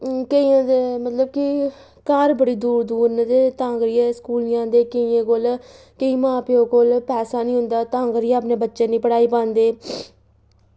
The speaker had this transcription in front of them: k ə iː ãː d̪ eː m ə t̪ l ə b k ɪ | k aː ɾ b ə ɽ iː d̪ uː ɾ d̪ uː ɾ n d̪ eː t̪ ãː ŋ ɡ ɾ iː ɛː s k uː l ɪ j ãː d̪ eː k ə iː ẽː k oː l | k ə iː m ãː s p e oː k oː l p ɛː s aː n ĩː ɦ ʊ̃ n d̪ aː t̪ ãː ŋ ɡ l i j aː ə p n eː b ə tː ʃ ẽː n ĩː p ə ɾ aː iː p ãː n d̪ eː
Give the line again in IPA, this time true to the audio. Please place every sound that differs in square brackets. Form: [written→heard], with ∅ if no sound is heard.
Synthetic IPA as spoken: k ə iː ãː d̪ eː m ə t̪ l ə b k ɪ | k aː ɾ b ə ɽ iː d̪ uː ɾ d̪ uː ɾ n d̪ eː t̪ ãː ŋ ɡ ɾ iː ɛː s k uː l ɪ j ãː d̪ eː k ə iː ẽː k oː l | k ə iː m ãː [s→∅] p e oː k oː l p ɛː s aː n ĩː ɦ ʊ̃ n d̪ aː t̪ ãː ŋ ɡ [l→ɾ] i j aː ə p n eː b ə tː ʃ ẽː n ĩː p ə [ɾ→ɽ] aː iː p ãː n d̪ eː